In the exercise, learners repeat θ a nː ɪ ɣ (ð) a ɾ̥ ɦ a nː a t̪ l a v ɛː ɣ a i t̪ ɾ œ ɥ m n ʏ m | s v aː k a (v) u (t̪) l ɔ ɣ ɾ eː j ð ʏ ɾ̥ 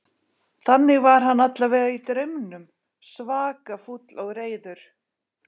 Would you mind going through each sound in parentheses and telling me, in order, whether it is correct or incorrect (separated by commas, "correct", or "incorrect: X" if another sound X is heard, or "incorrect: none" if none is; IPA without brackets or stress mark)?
incorrect: v, incorrect: f, correct